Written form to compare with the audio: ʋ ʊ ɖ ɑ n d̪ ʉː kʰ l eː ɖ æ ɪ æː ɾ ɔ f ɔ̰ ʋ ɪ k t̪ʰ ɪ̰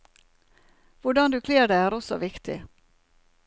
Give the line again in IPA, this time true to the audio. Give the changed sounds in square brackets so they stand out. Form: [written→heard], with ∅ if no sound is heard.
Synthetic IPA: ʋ ʊ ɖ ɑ n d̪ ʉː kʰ l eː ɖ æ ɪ æː ɾ ɔ [f→s] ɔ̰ ʋ ɪ k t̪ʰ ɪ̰